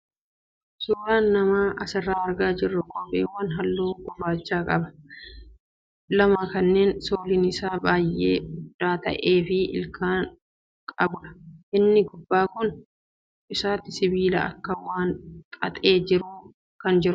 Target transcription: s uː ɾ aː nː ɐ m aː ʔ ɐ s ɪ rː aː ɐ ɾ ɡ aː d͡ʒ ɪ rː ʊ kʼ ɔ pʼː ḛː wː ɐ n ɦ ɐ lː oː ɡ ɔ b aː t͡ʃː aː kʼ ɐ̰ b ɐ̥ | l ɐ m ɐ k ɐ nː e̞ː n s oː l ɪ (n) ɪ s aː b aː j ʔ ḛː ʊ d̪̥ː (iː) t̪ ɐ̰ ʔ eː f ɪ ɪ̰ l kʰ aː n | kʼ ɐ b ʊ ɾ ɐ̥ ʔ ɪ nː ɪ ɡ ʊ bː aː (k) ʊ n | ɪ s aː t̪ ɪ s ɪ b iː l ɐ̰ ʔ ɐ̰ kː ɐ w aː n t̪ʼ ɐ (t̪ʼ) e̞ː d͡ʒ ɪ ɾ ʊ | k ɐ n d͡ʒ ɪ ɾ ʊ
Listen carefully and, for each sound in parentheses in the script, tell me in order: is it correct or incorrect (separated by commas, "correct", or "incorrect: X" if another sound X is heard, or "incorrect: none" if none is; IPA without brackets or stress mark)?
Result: correct, incorrect: aː, correct, correct